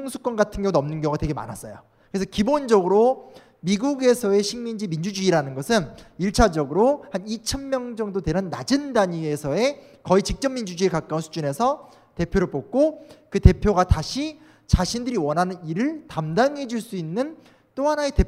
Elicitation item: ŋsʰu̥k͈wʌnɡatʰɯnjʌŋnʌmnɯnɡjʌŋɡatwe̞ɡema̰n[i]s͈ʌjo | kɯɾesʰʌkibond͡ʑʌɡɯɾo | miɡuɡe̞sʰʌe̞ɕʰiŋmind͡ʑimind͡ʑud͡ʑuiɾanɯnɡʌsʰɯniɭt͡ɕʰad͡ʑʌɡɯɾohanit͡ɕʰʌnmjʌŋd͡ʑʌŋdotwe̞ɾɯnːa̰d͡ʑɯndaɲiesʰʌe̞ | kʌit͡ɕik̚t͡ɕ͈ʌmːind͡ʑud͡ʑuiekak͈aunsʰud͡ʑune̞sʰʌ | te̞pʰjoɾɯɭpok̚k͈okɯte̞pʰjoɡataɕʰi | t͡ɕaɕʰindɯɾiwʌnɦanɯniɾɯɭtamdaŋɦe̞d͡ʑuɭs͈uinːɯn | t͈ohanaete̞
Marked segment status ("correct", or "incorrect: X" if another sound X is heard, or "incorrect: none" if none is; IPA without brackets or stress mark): incorrect: a